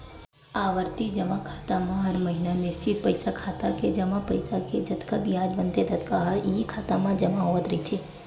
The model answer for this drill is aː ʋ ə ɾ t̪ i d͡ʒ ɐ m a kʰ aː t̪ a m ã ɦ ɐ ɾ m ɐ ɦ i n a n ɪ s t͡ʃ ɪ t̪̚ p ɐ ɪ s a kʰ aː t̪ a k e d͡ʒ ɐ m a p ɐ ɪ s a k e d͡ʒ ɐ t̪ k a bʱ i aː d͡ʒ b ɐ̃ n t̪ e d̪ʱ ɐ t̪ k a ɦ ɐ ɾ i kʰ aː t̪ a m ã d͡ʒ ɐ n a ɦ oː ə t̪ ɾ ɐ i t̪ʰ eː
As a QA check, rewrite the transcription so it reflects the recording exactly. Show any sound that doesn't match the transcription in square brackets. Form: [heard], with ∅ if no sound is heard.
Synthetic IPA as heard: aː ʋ ə ɾ t̪ i d͡ʒ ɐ m a kʰ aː t̪ a m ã ɦ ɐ ɾ m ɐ ɦ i n a n ɪ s t͡ʃ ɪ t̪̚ p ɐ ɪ s a kʰ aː t̪ a k e d͡ʒ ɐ m a p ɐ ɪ s a k e d͡ʒ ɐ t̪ k a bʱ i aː d͡ʒ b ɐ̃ n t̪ e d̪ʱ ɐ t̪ k a ɦ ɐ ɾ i kʰ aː t̪ a m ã d͡ʒ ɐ [m] a ɦ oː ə t̪ ɾ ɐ i t̪ʰ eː